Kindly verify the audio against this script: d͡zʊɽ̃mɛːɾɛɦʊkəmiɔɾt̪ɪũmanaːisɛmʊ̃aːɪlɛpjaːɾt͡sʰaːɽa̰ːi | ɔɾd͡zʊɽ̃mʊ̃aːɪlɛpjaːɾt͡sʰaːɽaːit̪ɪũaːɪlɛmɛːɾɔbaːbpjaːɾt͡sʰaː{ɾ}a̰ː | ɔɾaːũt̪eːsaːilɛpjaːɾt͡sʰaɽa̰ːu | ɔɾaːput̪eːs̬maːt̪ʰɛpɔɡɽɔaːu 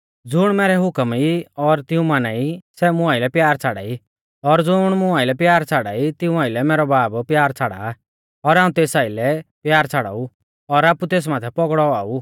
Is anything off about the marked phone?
yes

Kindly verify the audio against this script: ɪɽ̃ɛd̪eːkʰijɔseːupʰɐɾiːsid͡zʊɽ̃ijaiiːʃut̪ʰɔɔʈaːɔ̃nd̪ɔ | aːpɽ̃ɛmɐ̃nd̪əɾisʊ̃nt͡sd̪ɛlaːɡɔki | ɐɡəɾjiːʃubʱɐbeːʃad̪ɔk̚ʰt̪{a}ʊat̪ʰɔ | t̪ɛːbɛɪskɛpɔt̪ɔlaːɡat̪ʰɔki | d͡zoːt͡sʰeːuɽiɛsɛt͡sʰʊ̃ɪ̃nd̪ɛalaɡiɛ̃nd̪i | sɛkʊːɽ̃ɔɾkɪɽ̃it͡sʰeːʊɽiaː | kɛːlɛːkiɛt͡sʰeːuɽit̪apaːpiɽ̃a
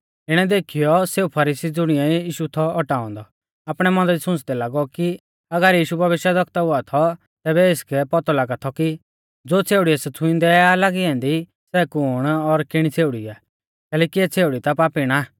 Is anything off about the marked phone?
no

